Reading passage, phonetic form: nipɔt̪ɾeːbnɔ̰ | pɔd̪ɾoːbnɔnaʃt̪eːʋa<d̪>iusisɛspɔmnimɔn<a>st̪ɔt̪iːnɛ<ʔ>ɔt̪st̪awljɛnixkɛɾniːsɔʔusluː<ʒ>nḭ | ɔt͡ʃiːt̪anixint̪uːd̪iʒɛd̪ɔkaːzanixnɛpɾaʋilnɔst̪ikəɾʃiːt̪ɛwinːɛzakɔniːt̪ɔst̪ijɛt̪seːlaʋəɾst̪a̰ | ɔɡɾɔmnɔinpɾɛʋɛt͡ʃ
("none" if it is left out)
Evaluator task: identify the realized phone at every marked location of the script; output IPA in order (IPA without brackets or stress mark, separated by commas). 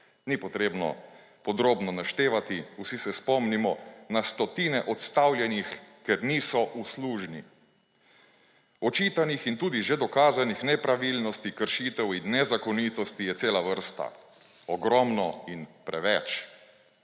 t̪, a, ʔ, ʒ